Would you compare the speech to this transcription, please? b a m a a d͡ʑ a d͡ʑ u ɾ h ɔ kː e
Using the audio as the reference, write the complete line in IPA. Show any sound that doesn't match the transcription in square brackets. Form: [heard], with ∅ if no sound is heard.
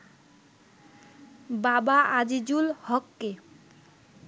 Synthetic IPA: b a [b] a a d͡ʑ [i] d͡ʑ u [l] h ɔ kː e